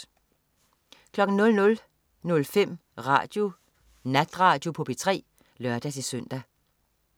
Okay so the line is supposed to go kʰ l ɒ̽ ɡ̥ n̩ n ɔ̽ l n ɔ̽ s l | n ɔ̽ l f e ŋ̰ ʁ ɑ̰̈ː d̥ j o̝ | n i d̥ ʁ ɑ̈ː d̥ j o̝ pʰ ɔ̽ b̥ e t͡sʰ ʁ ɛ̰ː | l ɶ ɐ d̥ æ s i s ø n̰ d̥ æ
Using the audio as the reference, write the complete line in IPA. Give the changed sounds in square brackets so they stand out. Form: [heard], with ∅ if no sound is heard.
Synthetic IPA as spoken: kʰ l ɒ̽ ɡ̥ n̩ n ɔ̽ l n ɔ̽ [∅] l | n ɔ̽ l f e [m̰] ʁ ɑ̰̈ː d̥ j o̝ | n [æ] d̥ ʁ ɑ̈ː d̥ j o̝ pʰ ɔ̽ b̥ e t͡sʰ ʁ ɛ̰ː | l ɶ ɐ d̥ æ s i s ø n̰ d̥ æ